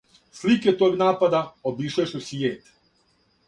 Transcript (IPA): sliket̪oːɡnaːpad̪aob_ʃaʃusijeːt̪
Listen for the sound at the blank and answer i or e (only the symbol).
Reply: i